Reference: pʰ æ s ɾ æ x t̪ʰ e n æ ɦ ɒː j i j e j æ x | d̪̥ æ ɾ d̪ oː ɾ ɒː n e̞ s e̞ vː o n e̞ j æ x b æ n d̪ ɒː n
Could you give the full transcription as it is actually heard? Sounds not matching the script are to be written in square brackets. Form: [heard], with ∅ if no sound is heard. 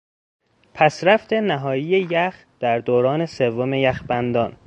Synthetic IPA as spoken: pʰ æ s ɾ æ [f] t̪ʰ e n æ ɦ ɒː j i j e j æ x | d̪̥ æ ɾ d̪ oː ɾ ɒː n e̞ s e̞ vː o [m] e̞ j æ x b æ n d̪ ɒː n